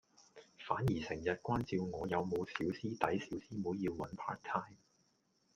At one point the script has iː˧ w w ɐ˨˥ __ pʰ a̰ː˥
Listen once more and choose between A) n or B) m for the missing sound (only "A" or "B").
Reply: A